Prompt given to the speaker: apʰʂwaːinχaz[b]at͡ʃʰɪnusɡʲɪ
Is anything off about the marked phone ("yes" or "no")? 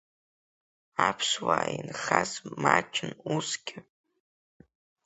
yes